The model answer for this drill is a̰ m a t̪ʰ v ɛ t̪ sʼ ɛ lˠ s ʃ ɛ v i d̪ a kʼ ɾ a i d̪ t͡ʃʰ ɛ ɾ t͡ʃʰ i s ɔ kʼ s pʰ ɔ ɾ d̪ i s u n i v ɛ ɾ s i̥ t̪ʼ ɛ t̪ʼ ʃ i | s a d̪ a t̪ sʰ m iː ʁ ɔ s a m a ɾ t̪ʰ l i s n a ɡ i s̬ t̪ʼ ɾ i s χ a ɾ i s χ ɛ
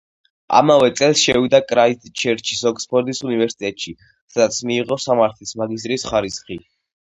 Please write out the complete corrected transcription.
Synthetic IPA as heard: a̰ m a v ɛ t̪ sʼ ɛ lˠ s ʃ ɛ v i d̪ a kʼ ɾ a i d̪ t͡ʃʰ ɛ ɾ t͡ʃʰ i s ɔ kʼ s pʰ ɔ ɾ d̪ i s u n i v ɛ ɾ s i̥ t̪ʼ ɛ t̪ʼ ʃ i | s a d̪ a t̪ sʰ m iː ʁ ɔ s a m a ɾ t̪ʰ l i s m a ɡ i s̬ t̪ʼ ɾ i s χ a ɾ i s χ i